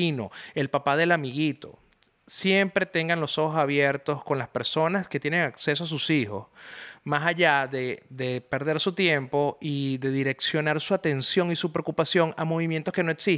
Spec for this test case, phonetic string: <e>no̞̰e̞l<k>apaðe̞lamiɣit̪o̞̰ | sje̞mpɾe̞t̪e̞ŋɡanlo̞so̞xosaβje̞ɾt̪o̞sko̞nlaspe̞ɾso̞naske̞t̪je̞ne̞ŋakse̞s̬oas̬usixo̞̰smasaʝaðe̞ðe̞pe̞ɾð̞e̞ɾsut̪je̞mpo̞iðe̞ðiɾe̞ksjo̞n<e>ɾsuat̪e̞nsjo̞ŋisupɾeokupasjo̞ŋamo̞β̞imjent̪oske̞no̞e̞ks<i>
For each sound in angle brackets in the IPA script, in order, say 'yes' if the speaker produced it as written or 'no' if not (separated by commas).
no, no, no, yes